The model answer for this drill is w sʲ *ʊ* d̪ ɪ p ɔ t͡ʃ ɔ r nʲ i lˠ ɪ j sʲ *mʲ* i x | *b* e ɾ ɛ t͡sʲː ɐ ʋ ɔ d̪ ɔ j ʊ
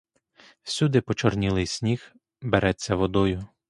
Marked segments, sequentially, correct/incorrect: incorrect, incorrect, correct

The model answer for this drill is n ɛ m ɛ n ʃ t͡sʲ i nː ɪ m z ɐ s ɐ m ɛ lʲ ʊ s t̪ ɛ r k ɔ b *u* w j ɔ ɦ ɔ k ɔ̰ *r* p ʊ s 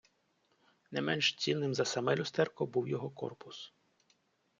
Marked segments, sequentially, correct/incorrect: correct, correct

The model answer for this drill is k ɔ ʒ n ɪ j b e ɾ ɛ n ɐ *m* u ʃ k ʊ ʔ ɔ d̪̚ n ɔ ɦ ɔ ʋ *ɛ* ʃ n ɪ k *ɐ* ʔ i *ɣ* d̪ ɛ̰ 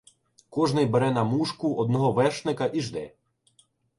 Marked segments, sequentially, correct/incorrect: correct, correct, correct, incorrect

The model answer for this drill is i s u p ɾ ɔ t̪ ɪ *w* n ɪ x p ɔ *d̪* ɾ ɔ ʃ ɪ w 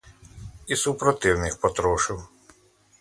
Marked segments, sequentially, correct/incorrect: correct, incorrect

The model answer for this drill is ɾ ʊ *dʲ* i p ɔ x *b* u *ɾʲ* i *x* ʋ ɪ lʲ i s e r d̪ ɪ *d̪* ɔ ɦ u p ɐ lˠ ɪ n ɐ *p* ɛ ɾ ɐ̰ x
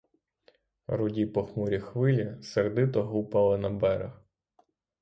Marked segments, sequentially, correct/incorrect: correct, incorrect, correct, correct, incorrect, incorrect

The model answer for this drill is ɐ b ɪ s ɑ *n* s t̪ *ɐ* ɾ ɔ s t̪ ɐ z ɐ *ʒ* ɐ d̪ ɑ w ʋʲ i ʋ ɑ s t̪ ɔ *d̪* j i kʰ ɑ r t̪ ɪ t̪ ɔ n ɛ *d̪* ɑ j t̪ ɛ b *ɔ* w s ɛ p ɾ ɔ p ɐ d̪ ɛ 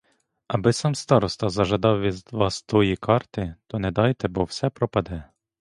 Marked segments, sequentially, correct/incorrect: incorrect, incorrect, correct, incorrect, correct, correct

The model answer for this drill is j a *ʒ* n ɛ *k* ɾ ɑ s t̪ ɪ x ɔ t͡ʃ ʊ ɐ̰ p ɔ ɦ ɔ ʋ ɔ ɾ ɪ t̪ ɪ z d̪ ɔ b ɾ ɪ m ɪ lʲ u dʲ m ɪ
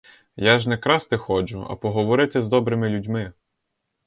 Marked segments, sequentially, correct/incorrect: correct, correct

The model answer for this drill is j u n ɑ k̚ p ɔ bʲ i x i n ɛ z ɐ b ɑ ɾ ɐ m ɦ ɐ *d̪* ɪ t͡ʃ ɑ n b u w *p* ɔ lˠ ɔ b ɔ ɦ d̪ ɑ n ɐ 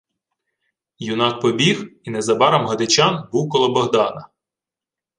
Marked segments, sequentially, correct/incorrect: correct, incorrect

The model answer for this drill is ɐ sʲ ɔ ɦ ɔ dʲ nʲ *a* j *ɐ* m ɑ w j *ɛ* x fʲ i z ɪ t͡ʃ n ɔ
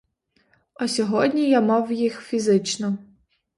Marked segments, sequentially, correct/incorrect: incorrect, incorrect, incorrect

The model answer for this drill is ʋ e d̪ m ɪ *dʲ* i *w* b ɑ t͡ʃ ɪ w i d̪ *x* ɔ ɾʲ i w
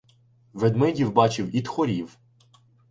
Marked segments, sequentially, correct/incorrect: correct, correct, correct

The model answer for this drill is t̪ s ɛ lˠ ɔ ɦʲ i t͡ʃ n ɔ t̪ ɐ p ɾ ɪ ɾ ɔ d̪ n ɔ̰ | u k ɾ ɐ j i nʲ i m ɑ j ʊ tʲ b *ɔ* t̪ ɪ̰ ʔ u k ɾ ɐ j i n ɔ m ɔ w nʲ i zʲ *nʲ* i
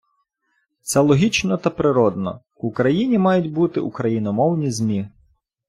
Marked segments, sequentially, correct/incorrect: incorrect, incorrect

